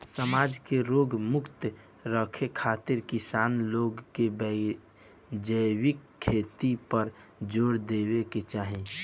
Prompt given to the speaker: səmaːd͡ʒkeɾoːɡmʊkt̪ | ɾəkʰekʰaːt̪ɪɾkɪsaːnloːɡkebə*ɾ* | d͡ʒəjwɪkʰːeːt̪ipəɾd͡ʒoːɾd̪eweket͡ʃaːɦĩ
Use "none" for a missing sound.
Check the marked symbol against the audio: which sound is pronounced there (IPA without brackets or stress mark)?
none